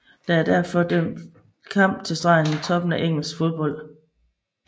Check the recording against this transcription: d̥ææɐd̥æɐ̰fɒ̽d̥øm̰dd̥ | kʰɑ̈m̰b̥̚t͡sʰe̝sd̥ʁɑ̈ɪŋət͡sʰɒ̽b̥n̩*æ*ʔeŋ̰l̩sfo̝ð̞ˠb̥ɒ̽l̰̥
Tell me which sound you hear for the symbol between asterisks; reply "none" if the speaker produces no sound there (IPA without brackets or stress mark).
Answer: æ